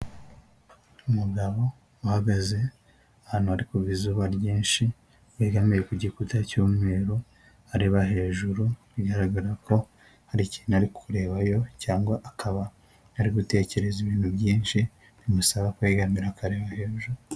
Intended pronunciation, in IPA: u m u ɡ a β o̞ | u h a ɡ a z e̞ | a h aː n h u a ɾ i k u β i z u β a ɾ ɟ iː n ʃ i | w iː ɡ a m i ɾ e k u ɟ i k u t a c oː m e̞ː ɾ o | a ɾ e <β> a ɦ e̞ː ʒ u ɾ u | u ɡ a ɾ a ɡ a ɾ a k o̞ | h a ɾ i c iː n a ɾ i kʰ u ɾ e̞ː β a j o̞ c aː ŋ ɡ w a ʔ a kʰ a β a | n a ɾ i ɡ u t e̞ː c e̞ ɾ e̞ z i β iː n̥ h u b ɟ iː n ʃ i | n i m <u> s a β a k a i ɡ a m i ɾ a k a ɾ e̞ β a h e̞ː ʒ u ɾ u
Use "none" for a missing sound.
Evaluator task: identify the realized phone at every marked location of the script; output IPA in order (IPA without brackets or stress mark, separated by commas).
β, u